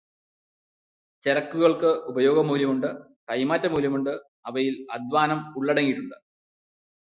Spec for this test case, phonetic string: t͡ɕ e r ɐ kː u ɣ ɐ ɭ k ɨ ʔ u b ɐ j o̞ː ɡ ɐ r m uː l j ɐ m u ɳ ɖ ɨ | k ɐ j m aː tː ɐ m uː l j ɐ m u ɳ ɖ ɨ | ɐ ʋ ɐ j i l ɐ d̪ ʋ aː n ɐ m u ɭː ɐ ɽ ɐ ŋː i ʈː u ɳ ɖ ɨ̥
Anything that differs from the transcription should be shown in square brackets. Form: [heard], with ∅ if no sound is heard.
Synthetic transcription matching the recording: t͡ɕ e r ɐ kː u ɣ ɐ ɭ k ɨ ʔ u b ɐ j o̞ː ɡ ɐ [∅] m uː l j ɐ m u ɳ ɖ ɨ | k ɐ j m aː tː ɐ m uː l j ɐ m u ɳ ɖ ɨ | ɐ ʋ ɐ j i l ɐ d̪ ʋ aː n ɐ m u ɭː ɐ ɽ ɐ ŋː i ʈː u ɳ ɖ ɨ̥